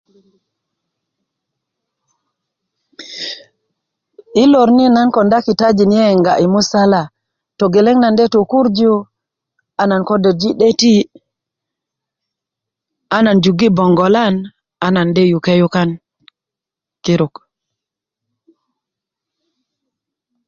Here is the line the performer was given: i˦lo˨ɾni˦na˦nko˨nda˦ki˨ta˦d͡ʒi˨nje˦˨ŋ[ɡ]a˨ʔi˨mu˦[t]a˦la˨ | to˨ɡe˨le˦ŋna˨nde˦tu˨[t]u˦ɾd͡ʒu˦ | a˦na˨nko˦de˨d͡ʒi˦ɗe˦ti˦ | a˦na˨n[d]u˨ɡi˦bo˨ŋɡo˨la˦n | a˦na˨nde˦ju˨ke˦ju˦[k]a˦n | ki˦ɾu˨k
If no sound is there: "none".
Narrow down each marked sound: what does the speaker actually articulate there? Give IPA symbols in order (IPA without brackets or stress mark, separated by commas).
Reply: ɡ, s, k, d͡ʒ, k